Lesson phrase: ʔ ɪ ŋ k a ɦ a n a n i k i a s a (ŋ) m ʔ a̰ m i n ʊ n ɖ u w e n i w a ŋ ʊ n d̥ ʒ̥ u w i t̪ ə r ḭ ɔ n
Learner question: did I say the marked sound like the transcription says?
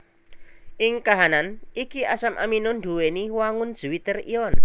no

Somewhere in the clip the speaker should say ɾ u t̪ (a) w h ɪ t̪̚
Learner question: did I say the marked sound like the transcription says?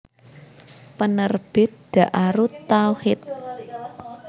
yes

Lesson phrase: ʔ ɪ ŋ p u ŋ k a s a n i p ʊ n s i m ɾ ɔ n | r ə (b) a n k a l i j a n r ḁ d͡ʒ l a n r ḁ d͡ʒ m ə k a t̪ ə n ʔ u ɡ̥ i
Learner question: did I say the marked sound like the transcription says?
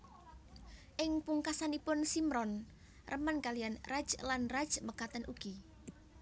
no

